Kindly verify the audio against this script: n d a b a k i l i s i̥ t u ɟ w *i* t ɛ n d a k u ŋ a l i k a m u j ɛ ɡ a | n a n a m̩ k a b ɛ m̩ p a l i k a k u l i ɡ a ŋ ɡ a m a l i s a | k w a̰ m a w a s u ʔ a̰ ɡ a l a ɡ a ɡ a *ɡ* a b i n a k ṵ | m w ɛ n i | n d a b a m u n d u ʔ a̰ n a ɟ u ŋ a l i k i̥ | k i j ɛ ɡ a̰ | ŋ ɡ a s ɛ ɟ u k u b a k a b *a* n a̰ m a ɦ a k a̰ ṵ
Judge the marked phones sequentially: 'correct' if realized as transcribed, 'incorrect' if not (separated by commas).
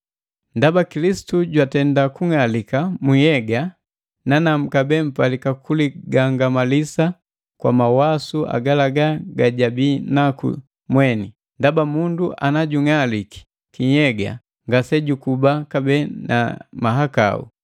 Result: incorrect, incorrect, incorrect